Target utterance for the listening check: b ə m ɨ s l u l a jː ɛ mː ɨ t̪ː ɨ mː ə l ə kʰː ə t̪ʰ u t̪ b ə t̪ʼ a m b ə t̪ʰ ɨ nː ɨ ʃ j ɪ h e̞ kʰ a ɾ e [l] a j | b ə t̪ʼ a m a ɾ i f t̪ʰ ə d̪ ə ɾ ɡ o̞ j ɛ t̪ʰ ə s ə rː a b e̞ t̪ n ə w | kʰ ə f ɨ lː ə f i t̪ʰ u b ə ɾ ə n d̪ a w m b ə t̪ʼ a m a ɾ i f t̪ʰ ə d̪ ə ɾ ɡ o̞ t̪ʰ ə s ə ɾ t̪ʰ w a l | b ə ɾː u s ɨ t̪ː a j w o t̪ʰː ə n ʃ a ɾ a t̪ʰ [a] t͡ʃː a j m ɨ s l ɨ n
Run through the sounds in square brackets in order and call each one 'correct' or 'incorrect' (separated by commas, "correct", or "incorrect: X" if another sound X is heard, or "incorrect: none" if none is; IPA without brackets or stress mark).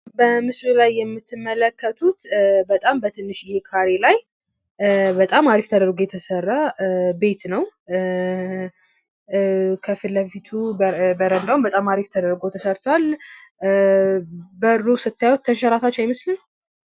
correct, correct